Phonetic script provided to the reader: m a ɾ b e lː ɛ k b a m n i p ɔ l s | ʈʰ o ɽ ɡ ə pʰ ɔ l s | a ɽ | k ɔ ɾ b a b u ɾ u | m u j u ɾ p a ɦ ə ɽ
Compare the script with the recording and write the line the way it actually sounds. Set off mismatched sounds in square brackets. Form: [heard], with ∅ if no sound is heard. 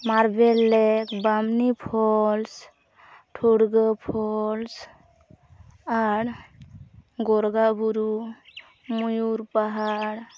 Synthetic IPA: m a ɾ b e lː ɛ k b a m n i [pʰ] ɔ l s | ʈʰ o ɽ ɡ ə pʰ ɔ l s | a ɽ | [ɡ] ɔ ɾ [ɡ] a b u ɾ u | m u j u ɾ p a ɦ [a] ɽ